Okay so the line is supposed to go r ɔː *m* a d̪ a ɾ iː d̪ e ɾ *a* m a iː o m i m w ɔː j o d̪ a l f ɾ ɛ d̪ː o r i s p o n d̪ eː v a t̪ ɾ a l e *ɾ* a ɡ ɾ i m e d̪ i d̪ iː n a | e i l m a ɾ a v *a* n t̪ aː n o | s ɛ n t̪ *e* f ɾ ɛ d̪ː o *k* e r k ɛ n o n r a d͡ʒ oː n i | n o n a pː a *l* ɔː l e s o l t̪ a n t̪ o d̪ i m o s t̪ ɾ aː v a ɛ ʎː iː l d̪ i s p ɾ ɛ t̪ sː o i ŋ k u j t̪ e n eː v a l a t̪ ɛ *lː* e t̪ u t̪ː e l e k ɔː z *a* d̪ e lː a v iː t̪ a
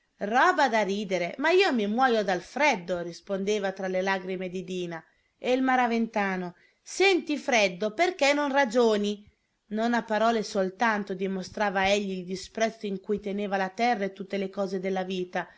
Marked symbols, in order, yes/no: no, no, no, no, no, no, no, no, no

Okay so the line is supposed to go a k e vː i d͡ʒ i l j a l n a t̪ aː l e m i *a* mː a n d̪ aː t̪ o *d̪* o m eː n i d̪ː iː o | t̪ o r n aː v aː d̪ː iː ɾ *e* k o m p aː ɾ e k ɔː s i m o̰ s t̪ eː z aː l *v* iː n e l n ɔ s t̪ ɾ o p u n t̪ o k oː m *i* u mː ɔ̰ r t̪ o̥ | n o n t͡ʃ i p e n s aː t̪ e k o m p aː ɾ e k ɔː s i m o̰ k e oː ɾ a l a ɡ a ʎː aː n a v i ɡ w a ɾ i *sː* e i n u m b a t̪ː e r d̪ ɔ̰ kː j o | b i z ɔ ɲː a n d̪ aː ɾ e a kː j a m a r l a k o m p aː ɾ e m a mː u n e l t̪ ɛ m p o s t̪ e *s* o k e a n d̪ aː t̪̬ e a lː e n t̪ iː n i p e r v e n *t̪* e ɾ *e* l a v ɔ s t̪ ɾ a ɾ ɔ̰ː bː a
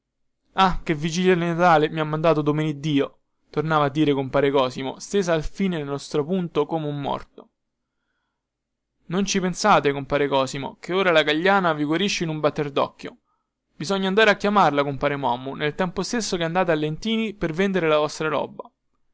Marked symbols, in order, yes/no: yes, yes, yes, no, no, no, no, no, yes

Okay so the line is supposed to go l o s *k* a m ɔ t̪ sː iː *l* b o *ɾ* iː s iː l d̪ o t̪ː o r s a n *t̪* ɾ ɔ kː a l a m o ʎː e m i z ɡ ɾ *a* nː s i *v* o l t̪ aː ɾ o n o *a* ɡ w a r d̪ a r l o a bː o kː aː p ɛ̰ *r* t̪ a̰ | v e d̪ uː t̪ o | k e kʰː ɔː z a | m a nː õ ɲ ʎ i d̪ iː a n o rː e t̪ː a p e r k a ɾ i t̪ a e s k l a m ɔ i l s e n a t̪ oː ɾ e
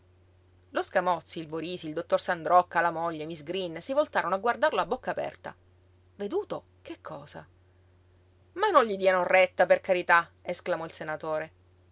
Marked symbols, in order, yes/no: yes, yes, yes, no, no, yes, yes, yes

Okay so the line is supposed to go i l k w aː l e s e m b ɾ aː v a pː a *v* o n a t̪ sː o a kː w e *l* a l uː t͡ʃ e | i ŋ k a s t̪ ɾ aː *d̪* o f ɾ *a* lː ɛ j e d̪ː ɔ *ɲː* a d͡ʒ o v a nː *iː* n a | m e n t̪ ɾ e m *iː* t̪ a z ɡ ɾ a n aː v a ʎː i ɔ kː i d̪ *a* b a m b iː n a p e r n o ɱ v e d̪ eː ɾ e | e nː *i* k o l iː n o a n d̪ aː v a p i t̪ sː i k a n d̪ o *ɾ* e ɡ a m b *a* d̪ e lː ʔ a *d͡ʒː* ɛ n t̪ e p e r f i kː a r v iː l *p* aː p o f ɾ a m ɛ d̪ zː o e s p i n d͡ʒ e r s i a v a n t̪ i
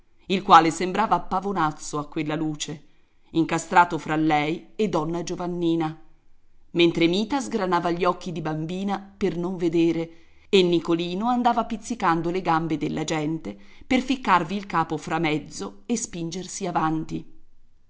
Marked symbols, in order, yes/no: yes, no, no, yes, no, yes, yes, no, yes, no, no, no, no

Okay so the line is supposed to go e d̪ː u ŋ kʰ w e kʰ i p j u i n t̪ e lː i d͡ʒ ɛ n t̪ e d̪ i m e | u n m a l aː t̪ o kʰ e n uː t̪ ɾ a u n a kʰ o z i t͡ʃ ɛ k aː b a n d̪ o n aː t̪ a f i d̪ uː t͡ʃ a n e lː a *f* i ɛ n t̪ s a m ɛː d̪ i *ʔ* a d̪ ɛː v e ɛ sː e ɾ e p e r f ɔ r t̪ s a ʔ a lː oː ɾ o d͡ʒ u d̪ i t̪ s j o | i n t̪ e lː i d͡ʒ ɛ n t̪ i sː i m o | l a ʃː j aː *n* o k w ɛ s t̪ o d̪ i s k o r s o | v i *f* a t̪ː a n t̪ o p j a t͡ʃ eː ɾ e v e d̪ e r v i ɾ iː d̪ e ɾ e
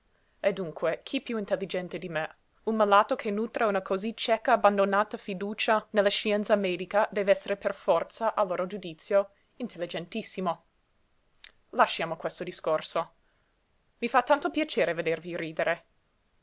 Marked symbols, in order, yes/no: no, no, no, yes

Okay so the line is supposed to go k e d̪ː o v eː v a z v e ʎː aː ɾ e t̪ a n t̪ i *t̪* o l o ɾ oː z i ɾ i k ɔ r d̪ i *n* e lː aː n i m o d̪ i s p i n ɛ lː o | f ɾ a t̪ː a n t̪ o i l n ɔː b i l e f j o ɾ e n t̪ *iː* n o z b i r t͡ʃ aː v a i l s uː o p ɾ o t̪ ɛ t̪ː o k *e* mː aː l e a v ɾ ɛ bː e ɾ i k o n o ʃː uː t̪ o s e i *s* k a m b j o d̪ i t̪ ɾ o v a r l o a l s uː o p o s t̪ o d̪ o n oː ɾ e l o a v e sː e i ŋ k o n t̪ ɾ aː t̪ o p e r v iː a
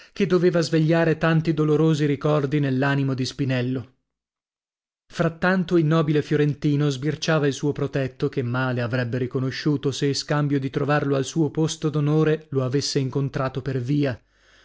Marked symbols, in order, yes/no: no, yes, yes, yes, yes

